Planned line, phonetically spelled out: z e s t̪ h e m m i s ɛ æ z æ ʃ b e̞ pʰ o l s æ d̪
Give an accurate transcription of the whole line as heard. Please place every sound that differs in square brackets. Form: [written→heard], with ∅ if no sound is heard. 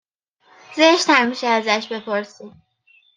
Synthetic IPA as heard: z e [s→ʃ] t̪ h [e→æ] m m i [s→ʃ] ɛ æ z æ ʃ b e̞ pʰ o [l→ɾ] s [æ→i] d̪